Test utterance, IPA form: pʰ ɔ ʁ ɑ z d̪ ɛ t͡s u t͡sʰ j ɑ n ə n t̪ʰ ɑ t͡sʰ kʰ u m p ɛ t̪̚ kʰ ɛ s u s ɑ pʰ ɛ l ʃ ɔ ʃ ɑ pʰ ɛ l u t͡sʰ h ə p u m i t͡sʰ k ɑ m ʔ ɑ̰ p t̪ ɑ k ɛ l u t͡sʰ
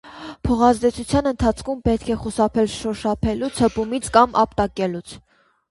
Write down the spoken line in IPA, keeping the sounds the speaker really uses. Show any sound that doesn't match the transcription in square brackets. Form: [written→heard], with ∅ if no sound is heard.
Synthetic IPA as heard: pʰ ɔ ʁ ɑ z d̪ ɛ [t͡s→t͡sʰ] u t͡sʰ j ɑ n ə n t̪ʰ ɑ t͡sʰ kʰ u m p ɛ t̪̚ kʰ ɛ [s→χ] u s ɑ pʰ ɛ l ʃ ɔ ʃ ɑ pʰ ɛ l u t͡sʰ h ə p u m i t͡sʰ k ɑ m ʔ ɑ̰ p t̪ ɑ k ɛ l u t͡sʰ